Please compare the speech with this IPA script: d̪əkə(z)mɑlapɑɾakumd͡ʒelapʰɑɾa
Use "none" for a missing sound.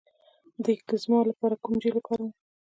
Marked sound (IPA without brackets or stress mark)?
z